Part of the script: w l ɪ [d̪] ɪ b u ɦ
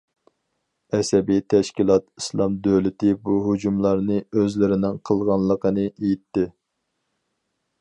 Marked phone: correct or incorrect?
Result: incorrect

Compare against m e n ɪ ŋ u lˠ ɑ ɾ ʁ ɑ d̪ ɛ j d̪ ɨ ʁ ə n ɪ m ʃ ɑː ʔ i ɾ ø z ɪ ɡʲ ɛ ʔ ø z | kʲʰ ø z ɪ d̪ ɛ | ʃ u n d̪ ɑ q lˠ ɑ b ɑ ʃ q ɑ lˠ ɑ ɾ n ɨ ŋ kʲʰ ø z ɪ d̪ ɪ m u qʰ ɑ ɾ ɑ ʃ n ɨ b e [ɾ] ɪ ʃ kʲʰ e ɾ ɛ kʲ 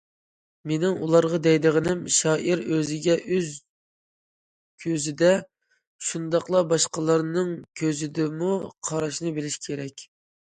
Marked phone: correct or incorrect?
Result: incorrect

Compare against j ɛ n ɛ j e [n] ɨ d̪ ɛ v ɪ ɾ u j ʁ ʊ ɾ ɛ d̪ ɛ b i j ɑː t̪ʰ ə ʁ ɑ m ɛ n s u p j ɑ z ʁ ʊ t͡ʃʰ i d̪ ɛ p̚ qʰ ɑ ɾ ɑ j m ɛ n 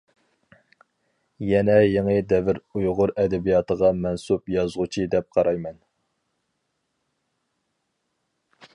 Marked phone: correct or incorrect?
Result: incorrect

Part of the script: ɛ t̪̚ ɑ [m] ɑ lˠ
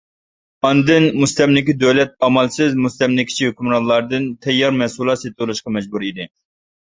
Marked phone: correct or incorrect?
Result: correct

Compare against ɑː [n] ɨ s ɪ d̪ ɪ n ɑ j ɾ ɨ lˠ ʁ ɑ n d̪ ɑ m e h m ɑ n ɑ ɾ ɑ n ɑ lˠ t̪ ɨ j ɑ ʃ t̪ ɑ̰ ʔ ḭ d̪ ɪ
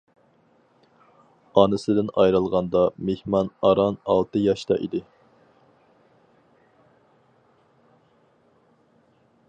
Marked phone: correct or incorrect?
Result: correct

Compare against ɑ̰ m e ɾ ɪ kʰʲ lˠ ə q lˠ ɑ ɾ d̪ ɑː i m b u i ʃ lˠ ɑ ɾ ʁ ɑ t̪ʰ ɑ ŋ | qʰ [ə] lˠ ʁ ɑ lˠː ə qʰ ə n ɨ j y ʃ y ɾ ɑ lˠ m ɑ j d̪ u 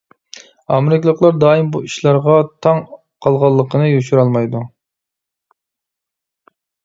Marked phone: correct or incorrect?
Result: incorrect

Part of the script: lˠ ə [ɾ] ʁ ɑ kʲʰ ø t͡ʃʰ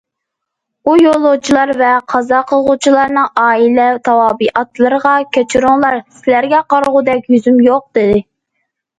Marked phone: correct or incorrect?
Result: correct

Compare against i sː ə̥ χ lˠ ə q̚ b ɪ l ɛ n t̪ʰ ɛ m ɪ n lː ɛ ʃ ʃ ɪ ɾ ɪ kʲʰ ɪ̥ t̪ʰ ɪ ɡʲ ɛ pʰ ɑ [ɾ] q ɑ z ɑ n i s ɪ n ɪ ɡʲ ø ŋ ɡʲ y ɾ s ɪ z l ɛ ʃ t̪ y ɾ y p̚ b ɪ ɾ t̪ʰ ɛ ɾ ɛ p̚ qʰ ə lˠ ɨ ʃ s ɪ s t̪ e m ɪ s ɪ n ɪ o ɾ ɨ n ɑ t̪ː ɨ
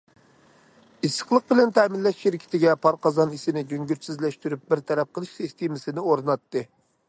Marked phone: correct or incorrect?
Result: correct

